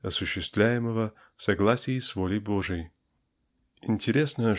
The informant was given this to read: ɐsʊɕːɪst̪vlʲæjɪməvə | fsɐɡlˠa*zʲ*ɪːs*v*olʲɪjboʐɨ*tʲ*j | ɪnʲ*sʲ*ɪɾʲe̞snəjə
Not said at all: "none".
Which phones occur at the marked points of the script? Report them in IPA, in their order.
sʲ, v, none, tʲ

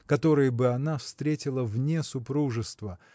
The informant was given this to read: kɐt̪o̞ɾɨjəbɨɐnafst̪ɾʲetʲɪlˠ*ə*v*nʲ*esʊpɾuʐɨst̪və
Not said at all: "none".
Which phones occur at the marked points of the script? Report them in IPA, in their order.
ə, nʲ

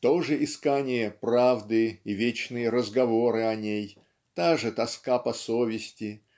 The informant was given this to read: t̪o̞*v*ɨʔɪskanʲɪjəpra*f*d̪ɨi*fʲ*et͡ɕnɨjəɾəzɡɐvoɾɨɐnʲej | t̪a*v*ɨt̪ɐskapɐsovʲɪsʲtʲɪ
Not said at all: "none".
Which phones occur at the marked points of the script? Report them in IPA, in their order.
ʐ, v, vʲ, ʐ

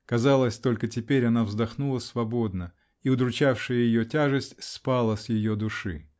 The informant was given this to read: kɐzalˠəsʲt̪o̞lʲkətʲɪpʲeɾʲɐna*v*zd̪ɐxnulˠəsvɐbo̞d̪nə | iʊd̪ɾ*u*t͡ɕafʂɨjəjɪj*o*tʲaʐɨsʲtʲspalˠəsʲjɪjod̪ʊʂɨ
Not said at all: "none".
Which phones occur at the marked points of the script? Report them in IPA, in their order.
v, ʊ, o

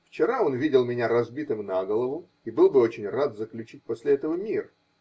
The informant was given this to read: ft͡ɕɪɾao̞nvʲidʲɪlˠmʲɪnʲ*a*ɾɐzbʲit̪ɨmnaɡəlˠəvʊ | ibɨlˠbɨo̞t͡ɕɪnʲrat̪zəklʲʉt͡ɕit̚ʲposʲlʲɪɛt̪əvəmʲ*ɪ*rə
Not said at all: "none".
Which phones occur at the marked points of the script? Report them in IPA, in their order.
a, i

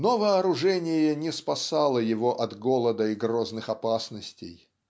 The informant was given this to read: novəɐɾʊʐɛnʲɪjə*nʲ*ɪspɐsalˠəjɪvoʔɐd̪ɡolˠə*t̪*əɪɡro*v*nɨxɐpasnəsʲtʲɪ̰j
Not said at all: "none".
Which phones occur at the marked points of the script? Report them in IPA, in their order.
nʲ, d̪, z

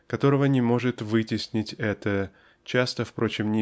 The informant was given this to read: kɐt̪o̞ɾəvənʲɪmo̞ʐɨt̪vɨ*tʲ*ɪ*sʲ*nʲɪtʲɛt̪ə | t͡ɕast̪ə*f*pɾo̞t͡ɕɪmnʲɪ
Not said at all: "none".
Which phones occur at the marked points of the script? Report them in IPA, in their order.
tʲ, sʲ, f

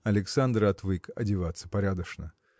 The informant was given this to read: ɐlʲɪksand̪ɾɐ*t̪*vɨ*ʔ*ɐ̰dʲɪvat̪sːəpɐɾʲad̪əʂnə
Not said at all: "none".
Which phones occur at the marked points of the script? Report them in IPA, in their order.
t̪, k

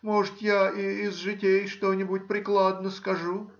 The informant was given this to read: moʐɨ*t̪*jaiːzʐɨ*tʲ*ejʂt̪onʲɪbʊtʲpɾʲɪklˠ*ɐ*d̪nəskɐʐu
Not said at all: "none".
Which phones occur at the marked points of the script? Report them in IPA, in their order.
t̪, tʲ, a

